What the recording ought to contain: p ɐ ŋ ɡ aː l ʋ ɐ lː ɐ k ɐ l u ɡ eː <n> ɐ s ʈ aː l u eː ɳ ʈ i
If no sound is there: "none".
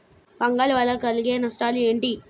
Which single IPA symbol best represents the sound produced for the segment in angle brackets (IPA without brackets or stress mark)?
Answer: n